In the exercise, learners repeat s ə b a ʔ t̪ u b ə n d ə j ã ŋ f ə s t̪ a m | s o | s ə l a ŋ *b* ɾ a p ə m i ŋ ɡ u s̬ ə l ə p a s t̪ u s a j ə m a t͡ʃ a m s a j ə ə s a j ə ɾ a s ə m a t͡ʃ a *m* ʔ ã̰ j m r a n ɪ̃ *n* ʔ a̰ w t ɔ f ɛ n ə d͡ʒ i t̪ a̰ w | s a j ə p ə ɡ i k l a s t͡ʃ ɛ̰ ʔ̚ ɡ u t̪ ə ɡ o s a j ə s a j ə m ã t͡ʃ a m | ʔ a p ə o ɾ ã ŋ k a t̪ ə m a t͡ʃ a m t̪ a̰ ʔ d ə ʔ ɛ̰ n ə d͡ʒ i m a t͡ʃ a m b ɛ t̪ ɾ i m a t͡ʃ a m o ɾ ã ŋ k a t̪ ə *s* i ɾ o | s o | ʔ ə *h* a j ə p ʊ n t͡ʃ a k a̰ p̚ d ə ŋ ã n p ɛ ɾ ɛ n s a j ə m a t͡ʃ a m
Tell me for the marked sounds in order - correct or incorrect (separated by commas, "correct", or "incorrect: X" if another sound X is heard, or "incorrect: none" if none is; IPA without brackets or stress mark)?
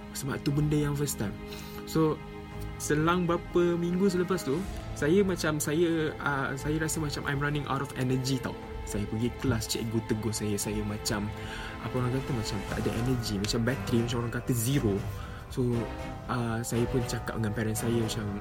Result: correct, correct, incorrect: ŋ, incorrect: z, incorrect: s